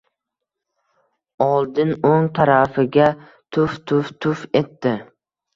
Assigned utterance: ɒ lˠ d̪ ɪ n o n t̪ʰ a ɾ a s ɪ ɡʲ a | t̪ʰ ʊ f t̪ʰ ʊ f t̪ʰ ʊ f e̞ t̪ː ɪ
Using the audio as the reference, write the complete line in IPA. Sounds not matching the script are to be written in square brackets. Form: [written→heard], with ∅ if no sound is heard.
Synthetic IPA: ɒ lˠ d̪ ɪ n o [n→ŋ] t̪ʰ a ɾ a [s→f] ɪ ɡʲ a | t̪ʰ ʊ f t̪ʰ ʊ f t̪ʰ ʊ f e̞ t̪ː ɪ